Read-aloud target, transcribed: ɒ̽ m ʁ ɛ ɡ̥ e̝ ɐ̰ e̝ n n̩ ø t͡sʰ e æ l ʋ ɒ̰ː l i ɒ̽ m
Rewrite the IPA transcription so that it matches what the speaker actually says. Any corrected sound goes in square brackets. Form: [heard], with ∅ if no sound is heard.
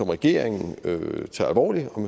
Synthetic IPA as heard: ɒ̽ m ʁ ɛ ɡ̥ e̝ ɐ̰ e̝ [ŋ] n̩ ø t͡sʰ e æ l ʋ ɒ̰ː l i ɒ̽ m